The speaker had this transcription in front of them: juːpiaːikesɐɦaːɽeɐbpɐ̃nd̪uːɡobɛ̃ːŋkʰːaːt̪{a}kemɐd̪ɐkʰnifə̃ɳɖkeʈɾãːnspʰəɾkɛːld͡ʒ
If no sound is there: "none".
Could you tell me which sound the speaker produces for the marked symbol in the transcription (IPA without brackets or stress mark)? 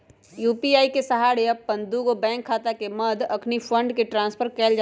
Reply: a